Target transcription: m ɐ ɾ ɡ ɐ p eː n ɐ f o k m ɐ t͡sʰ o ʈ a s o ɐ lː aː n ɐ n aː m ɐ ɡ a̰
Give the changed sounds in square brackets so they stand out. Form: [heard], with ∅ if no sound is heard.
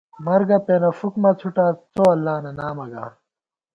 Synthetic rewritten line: m ɐ ɾ ɡ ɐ p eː n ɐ f [u] k m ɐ t͡sʰ [u] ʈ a [t͡s] o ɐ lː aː n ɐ n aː m ɐ ɡ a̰